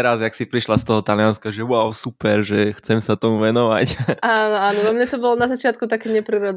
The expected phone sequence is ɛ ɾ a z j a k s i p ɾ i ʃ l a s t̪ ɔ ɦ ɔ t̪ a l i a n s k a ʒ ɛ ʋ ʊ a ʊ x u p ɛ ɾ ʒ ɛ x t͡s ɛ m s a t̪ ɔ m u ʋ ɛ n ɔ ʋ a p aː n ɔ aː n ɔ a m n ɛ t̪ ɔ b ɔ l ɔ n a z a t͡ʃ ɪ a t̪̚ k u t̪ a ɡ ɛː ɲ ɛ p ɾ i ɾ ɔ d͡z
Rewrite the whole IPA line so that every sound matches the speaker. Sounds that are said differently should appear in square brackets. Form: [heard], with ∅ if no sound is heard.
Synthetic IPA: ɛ ɾ a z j a k s i p ɾ i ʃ l a s t̪ ɔ ɦ ɔ t̪ a l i a n s k a ʒ ɛ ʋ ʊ a ʊ [s] u p ɛ ɾ ʒ ɛ x t͡s ɛ m s a t̪ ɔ m u ʋ ɛ n ɔ ʋ a [c] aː n ɔ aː n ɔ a m [ɲ] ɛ t̪ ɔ b ɔ l ɔ n a z a t͡ʃ ɪ a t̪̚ k u t̪ a [k] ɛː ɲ ɛ p ɾ i ɾ ɔ d͡z